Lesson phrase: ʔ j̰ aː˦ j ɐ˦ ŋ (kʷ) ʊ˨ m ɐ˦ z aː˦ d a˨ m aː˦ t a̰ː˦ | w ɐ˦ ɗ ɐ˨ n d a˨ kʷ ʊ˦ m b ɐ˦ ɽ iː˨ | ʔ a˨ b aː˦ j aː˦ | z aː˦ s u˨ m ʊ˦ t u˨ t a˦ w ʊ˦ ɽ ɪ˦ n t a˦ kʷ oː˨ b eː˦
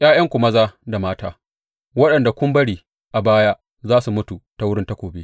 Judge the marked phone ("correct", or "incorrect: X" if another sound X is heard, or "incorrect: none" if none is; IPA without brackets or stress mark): correct